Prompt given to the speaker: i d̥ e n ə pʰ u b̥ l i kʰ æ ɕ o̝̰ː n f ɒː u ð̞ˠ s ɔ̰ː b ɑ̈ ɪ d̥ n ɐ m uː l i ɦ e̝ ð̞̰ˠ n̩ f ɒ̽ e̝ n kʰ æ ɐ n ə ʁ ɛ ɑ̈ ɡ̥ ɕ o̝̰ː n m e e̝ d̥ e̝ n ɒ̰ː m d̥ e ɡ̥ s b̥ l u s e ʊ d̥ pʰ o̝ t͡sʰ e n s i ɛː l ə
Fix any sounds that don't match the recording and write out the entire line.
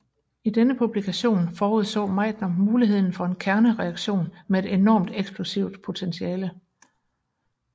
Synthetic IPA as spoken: i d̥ e n ə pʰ u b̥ l i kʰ æ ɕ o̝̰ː n f ɒː u ð̞ˠ s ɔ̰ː m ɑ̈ ɪ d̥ n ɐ m uː l i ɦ e̝ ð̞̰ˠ n̩ f ɒ̽ e̝ n kʰ æ ɐ n ə ʁ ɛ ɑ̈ ɡ̥ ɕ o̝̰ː n m e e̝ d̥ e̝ n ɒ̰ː m d̥ e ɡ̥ s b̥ l u s i ʊ d̥ pʰ o̝ t͡sʰ e n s i ɛː l ə